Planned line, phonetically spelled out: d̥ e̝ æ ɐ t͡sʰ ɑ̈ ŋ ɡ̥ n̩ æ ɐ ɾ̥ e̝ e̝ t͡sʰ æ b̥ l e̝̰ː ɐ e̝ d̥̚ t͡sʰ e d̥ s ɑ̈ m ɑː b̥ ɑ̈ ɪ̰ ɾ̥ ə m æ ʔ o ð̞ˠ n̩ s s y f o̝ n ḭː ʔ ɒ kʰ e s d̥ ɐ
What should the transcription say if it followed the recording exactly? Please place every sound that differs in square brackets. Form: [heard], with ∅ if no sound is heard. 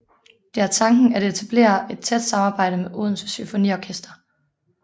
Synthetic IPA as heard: d̥ e̝ æ ɐ t͡sʰ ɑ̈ ŋ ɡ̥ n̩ æ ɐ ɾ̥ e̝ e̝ t͡sʰ æ b̥ l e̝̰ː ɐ e̝ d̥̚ t͡sʰ e d̥ s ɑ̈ m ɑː b̥ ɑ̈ ɪ̰ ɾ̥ ə m [e] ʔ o ð̞ˠ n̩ s s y f o̝ n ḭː [∅] ɒ kʰ e s d̥ ɐ